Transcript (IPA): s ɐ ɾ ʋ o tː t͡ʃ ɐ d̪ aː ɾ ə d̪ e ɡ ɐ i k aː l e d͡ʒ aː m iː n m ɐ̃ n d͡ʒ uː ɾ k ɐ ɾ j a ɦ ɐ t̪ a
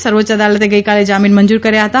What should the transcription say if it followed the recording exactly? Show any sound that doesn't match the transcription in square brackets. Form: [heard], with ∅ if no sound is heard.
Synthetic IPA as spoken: s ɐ ɾ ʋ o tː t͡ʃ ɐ d̪ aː [l] ə [t̪] e ɡ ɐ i k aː l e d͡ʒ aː m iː n m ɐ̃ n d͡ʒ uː ɾ k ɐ ɾ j a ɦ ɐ t̪ a